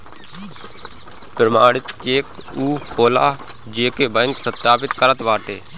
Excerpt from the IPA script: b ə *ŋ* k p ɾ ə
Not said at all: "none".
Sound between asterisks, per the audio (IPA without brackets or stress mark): ŋ